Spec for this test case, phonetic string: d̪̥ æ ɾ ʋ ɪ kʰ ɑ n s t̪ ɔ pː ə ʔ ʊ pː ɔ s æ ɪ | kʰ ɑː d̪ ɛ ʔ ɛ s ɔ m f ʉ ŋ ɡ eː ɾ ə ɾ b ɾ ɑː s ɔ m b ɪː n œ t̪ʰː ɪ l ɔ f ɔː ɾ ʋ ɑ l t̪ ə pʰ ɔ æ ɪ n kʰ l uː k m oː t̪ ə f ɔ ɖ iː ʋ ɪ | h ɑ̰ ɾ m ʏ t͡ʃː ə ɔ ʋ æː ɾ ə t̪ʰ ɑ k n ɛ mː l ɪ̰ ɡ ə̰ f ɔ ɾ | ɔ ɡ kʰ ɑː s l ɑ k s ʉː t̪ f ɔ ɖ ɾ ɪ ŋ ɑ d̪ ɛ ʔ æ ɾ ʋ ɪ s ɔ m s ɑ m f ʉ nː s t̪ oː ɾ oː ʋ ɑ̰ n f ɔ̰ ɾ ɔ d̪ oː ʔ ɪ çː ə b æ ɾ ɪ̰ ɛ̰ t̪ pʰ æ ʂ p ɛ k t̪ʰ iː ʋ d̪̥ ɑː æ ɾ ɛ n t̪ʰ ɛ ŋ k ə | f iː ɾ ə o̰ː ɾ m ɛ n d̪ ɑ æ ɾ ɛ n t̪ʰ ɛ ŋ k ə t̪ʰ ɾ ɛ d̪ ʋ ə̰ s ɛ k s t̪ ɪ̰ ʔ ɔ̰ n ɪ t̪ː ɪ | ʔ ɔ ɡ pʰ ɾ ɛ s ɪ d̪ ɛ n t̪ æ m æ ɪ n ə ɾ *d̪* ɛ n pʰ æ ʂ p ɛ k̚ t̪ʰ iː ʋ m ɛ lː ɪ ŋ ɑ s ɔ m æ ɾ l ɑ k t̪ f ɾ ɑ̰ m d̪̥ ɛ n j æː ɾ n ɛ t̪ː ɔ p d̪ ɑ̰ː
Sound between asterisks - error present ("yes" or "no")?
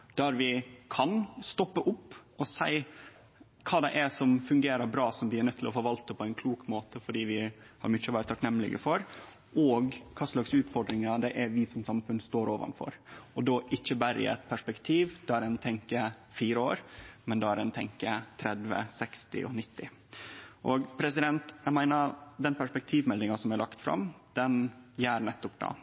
no